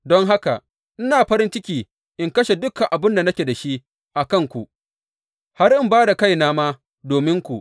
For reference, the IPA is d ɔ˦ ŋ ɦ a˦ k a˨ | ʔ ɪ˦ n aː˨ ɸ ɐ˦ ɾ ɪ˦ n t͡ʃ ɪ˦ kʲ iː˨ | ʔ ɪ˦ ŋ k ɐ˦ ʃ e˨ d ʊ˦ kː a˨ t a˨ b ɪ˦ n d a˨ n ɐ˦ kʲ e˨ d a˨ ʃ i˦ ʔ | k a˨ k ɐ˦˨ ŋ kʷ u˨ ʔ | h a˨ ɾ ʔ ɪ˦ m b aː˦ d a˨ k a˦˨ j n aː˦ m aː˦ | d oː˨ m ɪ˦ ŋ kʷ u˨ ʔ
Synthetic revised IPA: d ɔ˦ ŋ ɦ a˦ k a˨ | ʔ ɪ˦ n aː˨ ɸ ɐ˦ ɾ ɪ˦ n t͡ʃ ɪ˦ kʲ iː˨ | ʔ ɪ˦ ŋ k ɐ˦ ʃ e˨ d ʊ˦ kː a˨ ʔ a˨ b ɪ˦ n d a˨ n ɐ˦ kʲ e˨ d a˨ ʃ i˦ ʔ | ʔ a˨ k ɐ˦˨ ŋ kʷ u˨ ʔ | h a˦ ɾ ʔ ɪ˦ m b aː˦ d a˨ k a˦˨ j n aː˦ m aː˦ | d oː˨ m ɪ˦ ŋ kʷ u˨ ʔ